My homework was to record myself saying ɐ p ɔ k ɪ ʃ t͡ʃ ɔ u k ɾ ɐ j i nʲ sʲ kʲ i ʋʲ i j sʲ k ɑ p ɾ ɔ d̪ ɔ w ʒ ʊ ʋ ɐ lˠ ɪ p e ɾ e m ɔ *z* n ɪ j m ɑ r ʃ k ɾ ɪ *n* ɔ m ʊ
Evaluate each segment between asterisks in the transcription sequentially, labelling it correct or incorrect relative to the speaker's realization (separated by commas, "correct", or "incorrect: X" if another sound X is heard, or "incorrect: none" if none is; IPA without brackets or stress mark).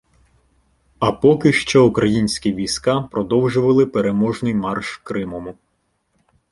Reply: incorrect: ʒ, incorrect: m